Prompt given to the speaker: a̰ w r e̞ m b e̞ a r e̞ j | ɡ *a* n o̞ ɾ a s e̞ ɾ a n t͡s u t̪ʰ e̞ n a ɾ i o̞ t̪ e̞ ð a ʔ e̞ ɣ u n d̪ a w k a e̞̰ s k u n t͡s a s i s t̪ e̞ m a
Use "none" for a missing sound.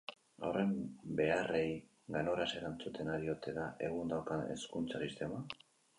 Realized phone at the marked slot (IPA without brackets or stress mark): a